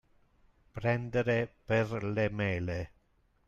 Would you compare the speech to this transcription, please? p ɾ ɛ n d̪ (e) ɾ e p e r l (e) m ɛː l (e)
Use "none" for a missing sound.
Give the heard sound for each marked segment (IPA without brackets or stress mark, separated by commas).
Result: e, e, e